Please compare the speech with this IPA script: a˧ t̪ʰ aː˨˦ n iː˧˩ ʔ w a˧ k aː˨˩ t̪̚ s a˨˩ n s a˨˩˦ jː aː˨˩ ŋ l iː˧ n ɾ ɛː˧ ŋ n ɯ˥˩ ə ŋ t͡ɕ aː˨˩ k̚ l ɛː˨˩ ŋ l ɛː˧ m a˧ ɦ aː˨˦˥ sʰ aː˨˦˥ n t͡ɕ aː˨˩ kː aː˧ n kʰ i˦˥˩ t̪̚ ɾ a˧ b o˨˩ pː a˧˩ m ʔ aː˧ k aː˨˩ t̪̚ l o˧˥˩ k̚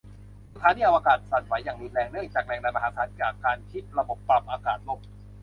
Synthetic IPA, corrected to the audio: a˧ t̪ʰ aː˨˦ n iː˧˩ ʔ w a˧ k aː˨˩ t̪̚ s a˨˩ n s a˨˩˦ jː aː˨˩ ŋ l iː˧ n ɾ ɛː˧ ŋ n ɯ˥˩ ə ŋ t͡ɕ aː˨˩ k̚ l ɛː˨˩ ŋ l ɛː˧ m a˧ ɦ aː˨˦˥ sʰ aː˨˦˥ n t͡ɕ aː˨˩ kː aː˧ n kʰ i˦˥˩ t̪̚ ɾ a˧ b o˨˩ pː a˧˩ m ʔ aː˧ k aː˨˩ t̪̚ l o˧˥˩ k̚